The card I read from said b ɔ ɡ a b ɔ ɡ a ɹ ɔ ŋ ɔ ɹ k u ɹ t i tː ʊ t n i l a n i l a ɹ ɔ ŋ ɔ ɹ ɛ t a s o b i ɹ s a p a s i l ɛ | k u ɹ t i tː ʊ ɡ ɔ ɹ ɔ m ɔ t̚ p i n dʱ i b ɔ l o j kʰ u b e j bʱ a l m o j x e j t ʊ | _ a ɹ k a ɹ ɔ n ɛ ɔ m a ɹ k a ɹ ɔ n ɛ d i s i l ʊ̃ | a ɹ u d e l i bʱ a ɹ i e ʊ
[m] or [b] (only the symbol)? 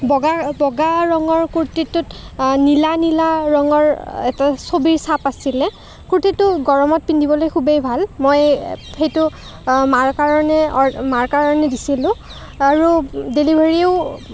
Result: m